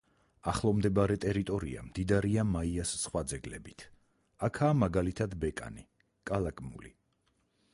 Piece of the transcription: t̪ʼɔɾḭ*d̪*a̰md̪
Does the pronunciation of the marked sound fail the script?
yes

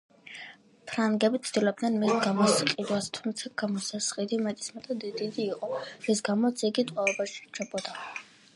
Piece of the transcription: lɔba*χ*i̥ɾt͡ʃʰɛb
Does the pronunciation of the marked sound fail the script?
yes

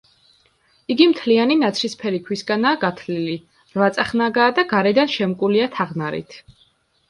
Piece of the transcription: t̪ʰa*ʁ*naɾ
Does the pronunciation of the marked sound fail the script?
no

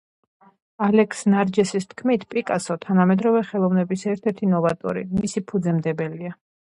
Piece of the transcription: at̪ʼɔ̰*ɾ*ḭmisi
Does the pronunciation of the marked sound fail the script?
no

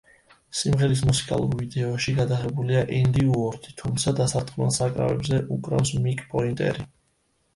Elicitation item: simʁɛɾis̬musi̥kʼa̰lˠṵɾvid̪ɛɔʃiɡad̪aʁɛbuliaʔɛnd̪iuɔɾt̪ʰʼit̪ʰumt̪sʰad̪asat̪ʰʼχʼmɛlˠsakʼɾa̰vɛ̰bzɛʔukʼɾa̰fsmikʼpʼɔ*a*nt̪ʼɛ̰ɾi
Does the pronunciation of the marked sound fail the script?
yes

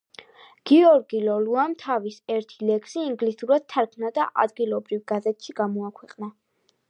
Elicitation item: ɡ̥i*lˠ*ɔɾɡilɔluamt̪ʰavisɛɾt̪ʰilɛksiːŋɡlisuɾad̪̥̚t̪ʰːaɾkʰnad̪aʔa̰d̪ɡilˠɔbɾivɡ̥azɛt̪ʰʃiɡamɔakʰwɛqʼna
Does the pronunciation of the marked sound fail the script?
yes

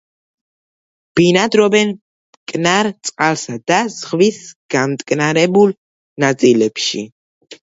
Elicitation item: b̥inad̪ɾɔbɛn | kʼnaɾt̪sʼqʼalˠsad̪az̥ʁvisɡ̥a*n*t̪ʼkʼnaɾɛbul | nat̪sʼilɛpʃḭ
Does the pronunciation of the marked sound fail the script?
yes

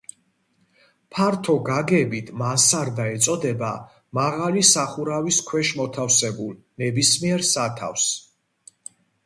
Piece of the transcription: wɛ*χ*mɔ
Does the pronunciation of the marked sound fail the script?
yes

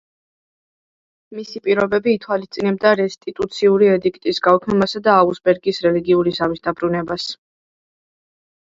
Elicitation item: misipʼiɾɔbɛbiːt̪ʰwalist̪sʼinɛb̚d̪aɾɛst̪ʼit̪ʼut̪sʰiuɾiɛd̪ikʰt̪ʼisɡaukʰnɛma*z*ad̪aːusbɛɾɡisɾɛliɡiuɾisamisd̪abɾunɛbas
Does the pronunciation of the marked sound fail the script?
yes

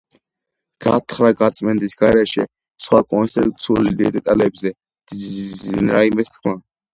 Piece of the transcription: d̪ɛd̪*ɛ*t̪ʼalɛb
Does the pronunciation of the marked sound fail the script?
no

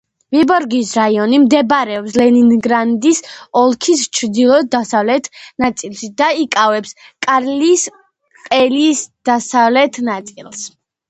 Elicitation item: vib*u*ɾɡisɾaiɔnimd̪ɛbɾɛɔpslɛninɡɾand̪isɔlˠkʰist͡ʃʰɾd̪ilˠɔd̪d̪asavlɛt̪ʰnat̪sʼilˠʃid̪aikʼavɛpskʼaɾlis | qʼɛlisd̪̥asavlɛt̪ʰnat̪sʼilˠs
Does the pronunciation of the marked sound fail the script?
yes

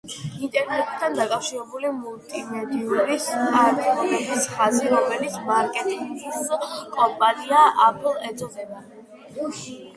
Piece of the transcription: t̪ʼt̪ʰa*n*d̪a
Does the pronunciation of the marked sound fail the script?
no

